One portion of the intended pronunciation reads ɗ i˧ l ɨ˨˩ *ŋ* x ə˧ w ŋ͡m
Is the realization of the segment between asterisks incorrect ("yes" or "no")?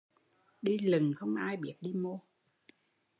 no